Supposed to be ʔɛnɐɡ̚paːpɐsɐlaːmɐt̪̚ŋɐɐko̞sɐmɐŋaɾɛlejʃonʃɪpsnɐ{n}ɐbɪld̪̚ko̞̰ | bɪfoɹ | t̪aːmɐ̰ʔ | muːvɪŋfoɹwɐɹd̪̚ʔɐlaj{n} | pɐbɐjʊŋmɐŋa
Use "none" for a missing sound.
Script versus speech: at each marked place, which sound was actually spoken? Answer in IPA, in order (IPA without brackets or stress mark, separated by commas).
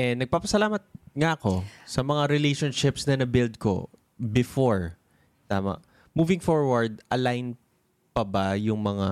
n, n